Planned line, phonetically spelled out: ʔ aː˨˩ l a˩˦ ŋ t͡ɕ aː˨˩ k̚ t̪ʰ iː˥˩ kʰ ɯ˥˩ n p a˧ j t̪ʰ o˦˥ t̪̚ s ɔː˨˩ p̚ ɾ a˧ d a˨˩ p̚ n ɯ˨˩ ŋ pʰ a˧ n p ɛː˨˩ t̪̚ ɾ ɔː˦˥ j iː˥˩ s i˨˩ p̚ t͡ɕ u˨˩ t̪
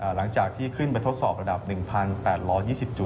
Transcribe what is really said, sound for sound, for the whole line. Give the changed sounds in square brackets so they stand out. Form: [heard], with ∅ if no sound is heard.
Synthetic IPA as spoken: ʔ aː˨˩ l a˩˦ ŋ t͡ɕ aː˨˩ k̚ t̪ʰ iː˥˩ kʰ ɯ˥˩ n p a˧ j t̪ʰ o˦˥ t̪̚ s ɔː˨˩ p̚ ɾ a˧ d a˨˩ p̚ n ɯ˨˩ ŋ pʰ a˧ n p ɛː˨˩ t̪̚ ɾ ɔː˦˥ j iː˥˩ s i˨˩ p̚ t͡ɕ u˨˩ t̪